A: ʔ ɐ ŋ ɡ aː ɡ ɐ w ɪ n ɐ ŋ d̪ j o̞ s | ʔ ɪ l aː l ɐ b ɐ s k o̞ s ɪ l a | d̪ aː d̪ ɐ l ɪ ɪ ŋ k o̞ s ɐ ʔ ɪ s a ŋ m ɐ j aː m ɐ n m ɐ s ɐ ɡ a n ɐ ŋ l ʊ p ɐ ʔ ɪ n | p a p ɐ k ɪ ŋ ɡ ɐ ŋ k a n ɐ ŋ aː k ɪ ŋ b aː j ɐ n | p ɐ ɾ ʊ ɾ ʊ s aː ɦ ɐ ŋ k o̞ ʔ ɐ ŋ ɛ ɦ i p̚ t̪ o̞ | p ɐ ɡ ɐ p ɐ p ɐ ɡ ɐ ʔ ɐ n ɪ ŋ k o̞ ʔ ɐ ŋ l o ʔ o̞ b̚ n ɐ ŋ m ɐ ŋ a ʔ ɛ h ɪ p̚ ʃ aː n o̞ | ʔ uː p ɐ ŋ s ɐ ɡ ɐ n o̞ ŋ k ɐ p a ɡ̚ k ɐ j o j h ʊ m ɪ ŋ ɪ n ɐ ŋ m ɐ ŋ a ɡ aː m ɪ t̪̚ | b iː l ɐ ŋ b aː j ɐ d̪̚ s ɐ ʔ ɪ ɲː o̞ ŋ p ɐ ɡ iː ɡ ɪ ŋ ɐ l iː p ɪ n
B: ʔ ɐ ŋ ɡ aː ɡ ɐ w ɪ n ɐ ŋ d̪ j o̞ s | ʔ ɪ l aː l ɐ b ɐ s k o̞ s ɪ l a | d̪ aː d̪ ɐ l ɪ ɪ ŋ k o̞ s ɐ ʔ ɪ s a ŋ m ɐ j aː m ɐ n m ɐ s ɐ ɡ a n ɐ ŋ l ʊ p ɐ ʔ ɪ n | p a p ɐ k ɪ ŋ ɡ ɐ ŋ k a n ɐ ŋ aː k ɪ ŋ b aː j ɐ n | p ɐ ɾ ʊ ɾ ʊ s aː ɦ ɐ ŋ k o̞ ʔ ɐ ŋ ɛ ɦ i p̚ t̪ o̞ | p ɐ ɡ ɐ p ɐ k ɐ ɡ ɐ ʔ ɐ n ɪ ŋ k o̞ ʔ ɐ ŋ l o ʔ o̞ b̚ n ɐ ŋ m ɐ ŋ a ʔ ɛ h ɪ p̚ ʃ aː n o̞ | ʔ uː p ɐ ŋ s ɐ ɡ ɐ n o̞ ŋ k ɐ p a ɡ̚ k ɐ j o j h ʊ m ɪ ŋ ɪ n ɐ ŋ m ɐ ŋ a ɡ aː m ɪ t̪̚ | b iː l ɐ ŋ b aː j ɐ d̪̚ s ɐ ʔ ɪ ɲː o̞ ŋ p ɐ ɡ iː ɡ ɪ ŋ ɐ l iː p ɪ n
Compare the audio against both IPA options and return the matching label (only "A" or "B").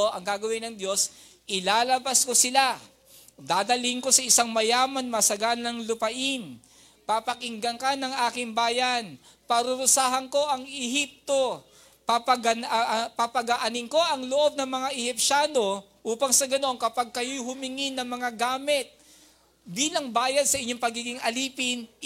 A